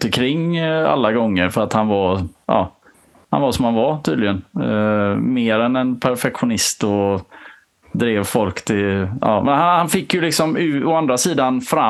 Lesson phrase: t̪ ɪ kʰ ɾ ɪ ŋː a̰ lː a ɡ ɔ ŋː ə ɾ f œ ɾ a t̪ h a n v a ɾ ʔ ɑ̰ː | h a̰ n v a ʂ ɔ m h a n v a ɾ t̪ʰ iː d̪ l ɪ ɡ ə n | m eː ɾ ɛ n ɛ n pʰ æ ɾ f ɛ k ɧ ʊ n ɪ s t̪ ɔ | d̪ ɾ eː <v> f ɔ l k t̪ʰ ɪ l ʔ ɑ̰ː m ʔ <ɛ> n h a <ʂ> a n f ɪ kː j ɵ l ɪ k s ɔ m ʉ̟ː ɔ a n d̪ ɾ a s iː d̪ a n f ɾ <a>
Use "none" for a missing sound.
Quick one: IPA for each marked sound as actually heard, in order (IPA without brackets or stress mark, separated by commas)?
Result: v, ɛ, h, a